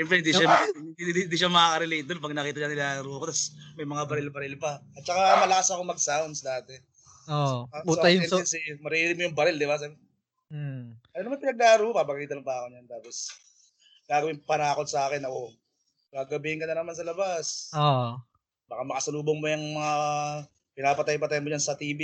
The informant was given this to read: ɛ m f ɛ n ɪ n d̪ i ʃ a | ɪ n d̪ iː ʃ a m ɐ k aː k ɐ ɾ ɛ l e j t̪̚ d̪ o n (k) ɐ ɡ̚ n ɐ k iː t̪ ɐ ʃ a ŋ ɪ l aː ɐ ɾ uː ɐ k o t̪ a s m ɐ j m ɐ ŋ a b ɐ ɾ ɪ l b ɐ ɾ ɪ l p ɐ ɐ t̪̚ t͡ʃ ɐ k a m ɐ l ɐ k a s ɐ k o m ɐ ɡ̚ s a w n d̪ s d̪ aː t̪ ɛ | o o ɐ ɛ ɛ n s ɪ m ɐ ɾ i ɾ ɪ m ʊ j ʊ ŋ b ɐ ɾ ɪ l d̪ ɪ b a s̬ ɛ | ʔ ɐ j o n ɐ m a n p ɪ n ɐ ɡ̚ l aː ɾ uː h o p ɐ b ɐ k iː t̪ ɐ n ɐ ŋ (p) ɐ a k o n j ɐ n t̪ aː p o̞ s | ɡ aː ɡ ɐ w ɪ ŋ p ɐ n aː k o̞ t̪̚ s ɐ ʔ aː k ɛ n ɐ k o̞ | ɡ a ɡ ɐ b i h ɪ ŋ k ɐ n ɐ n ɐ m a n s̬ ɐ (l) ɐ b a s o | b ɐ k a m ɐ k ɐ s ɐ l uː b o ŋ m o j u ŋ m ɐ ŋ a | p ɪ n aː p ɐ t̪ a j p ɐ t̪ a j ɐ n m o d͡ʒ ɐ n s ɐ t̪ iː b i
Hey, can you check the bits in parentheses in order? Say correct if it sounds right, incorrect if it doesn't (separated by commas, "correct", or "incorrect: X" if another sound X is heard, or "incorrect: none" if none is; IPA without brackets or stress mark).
incorrect: p, correct, correct